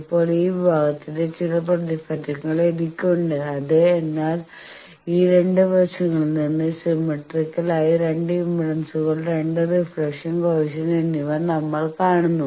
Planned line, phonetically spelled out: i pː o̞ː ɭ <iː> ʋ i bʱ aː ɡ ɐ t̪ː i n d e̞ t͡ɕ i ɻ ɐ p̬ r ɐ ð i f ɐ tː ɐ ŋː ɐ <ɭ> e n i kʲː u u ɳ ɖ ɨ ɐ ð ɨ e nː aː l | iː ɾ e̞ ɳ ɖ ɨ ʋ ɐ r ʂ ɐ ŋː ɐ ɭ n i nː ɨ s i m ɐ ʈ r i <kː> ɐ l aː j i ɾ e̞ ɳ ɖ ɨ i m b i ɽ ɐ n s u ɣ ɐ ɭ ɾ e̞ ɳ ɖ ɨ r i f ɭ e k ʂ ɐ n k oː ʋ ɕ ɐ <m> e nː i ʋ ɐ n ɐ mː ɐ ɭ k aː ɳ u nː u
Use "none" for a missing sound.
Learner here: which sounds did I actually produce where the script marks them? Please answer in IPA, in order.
iː, ɭ, kː, n

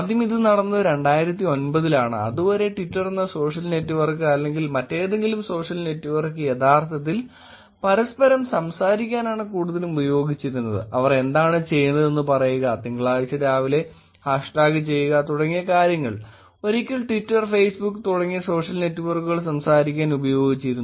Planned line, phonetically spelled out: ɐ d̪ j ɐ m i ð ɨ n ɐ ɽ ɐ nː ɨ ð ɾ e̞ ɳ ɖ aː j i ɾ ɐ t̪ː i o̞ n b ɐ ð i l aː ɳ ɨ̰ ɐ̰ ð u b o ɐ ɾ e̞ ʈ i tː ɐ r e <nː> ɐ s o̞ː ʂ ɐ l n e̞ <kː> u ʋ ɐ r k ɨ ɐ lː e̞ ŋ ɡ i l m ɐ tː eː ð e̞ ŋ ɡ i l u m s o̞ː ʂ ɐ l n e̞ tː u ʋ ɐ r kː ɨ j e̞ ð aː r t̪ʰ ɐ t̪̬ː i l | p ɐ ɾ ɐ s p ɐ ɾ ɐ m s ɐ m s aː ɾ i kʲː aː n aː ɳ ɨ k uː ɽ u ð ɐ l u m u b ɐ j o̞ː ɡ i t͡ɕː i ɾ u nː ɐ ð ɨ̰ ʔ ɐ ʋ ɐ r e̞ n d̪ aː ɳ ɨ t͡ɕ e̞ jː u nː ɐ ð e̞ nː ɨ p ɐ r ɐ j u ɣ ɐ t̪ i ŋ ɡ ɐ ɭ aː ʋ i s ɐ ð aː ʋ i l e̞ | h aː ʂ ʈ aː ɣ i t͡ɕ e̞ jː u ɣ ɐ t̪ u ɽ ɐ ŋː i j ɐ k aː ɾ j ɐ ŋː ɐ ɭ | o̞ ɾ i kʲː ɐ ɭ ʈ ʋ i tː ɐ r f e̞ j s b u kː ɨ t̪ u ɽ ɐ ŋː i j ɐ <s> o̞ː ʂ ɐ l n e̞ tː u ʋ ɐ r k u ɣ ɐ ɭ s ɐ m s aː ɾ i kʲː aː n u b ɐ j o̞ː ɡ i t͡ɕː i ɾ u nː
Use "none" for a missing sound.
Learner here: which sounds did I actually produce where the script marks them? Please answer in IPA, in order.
nː, tː, s

